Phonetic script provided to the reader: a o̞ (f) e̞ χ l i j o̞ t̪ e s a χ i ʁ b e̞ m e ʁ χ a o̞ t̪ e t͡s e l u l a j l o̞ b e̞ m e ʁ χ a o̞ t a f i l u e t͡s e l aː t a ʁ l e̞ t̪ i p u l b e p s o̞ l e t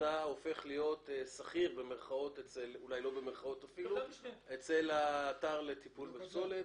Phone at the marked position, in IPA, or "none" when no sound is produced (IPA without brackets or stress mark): f